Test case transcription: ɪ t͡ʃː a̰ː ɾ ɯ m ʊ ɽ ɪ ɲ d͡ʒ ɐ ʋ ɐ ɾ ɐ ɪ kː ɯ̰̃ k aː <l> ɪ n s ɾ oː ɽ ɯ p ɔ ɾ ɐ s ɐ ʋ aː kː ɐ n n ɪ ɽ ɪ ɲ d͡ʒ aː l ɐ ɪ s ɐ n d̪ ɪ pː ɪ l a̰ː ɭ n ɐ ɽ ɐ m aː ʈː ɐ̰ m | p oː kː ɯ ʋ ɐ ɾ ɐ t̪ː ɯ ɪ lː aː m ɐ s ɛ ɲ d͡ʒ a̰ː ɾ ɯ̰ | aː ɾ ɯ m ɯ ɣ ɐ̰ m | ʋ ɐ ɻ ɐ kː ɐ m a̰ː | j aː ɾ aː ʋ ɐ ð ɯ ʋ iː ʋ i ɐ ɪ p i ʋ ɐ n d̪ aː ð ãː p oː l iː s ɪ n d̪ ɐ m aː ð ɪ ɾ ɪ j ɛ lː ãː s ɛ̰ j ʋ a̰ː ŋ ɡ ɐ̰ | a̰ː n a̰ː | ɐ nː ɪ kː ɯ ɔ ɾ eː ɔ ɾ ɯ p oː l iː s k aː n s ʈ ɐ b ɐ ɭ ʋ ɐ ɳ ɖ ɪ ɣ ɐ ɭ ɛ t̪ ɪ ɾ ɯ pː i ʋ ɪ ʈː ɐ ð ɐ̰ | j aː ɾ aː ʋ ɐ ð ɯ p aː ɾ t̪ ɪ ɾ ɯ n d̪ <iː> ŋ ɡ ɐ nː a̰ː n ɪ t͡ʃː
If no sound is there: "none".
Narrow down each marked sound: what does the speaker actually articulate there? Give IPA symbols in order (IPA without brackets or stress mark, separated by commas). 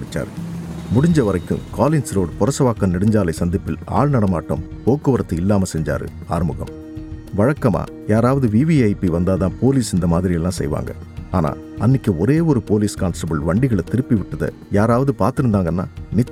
l, aː